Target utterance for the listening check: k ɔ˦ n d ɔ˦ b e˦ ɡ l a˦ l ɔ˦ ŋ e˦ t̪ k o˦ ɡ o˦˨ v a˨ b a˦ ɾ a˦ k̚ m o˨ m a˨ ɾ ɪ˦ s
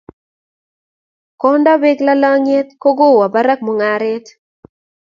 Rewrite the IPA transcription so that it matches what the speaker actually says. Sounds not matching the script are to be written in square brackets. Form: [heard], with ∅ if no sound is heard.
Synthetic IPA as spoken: k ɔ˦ n d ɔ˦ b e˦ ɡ l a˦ l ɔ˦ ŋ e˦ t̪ k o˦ ɡ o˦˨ [w] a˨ b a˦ ɾ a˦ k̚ m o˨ [ŋ] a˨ ɾ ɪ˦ [t]